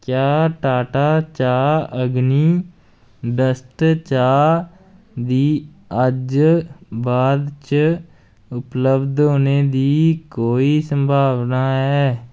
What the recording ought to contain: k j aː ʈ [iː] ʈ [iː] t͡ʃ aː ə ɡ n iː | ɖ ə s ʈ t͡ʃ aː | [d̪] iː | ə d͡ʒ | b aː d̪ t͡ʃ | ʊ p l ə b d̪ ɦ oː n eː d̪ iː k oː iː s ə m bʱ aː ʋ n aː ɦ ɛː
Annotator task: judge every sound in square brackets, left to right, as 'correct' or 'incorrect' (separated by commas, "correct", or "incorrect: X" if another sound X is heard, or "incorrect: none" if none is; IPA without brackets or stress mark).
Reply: incorrect: aː, incorrect: aː, correct